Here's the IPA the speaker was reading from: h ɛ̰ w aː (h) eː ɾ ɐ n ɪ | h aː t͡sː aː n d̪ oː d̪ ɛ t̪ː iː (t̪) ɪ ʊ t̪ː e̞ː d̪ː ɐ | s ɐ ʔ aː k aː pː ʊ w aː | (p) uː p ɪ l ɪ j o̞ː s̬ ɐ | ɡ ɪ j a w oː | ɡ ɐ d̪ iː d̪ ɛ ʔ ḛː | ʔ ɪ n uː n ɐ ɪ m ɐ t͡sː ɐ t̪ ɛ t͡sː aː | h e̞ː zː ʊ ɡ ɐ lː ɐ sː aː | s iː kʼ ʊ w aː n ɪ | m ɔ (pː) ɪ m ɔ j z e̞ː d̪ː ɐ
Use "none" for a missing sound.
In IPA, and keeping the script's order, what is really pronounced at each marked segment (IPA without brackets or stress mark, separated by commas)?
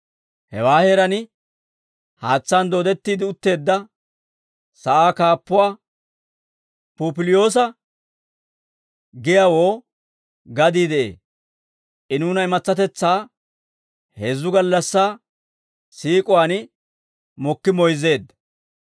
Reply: h, d̪, p, kː